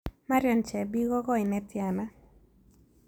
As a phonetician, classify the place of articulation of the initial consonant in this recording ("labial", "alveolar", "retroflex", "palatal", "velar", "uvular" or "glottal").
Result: labial